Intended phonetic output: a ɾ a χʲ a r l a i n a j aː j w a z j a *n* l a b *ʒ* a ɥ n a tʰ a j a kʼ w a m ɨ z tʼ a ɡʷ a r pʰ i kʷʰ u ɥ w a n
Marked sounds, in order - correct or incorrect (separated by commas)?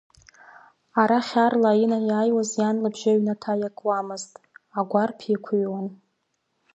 correct, correct